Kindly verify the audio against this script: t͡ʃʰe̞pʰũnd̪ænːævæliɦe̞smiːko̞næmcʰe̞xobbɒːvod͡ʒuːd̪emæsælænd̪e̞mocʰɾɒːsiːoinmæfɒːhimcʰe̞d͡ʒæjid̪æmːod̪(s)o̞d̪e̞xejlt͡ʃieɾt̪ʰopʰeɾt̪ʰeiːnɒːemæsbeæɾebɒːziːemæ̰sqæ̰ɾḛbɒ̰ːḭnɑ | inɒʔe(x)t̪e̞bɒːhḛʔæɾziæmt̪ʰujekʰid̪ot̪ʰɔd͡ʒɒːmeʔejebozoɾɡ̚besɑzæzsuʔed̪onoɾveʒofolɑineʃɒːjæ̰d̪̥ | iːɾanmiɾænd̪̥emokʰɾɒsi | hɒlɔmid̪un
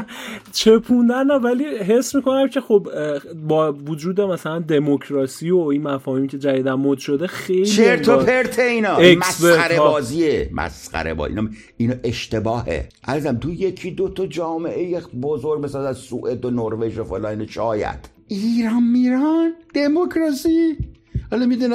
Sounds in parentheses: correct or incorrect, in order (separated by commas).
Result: incorrect, incorrect